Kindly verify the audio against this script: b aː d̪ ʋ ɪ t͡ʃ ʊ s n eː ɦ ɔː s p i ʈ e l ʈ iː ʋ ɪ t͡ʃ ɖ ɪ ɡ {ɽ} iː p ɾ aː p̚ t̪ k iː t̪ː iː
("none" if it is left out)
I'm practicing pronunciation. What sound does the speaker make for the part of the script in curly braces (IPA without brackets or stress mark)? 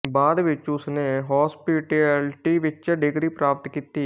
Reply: ɾ